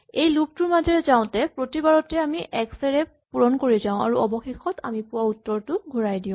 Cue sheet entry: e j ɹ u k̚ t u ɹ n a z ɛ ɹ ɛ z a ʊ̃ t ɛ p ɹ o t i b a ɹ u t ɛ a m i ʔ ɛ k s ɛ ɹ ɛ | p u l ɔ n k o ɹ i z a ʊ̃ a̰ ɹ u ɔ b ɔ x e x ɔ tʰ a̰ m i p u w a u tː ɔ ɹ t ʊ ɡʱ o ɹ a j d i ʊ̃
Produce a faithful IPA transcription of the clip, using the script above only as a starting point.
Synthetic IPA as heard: e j l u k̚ t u ɹ m a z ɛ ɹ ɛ z a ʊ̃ t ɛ p ɹ o t i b a ɹ ɔ t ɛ a m i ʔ ɛ k s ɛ ɹ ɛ | p u ɹ ɔ n k o ɹ i z a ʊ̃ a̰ ɹ u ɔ b ɔ x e x ɔ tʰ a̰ m i p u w a u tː ɔ ɹ t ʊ ɡʱ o ɹ a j d i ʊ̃